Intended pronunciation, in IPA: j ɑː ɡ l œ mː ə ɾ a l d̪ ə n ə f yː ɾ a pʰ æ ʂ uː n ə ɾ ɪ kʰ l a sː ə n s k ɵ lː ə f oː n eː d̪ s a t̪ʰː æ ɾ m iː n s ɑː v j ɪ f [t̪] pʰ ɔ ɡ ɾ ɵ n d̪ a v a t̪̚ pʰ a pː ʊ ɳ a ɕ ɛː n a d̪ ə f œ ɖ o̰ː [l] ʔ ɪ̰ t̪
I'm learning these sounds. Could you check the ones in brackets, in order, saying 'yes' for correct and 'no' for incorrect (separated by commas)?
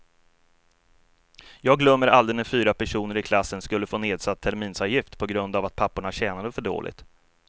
yes, yes